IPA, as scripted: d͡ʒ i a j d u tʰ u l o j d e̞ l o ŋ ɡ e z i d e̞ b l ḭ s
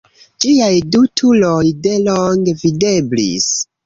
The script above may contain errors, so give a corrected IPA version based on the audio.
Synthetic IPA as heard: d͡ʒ i a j d u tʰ u l o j d e̞ l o ŋ ɡ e v i d e̞ b l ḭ s